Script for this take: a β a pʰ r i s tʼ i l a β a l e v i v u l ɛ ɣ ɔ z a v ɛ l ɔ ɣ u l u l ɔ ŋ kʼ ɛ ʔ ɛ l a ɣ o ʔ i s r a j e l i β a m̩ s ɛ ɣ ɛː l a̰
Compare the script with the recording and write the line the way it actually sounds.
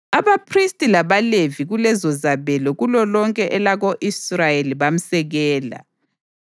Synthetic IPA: a β a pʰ r i s tʼ i l a β a l e v i ɣ u l ɛ z ɔ z a β ɛ l ɔ ɣ u l ɔ l ɔ ŋ kʼ ɛ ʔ ɛ l a ɣ o ʔ i s r a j e l i β a m̩ s ɛ ɣ ɛː l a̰